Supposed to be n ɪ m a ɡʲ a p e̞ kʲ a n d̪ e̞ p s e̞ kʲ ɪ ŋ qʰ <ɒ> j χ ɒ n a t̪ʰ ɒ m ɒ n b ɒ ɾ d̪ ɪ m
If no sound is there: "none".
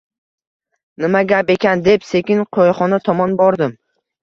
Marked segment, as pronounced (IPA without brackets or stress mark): o